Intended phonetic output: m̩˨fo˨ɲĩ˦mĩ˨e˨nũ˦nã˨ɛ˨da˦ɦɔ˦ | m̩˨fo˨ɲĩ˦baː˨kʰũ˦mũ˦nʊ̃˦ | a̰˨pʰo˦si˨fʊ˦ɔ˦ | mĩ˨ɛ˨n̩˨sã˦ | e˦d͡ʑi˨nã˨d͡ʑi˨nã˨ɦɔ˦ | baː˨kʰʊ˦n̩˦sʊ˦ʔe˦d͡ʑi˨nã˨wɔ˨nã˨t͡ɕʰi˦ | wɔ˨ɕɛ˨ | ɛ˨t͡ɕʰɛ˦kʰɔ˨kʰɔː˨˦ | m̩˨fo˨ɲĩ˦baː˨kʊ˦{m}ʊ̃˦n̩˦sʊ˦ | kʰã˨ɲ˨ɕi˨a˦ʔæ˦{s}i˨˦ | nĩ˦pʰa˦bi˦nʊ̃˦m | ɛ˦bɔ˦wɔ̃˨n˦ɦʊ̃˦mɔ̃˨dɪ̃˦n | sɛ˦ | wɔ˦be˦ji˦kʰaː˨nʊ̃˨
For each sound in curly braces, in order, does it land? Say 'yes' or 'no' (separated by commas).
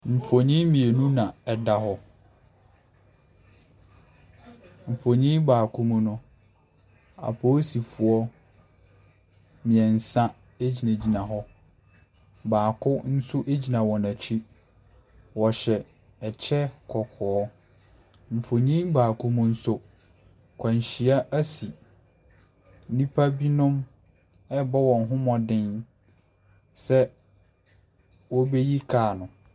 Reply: yes, yes